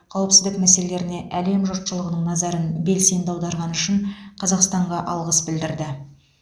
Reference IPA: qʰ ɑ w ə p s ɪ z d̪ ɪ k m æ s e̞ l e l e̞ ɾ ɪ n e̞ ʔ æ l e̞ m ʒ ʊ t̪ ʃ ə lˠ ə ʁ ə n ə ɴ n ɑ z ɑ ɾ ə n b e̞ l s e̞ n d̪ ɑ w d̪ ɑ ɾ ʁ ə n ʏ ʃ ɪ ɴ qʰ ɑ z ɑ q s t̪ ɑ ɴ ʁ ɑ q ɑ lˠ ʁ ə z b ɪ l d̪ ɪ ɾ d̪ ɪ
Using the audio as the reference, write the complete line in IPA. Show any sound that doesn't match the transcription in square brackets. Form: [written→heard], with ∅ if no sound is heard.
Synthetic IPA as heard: qʰ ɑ w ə p s ɪ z d̪ ɪ k m æ s e̞ l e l e̞ ɾ ɪ n e̞ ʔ æ l e̞ m ʒ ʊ t̪ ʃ ə lˠ ə ʁ ə n ə ɴ n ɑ z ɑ ɾ ə n b e̞ l s e̞ n d̪ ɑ w d̪ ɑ ɾ ʁ [ə→ɑ] n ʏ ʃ ɪ ɴ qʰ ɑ z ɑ q s t̪ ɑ ɴ ʁ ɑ [q→ʔ] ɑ lˠ ʁ ə [z→s] b ɪ l d̪ ɪ ɾ d̪ ɪ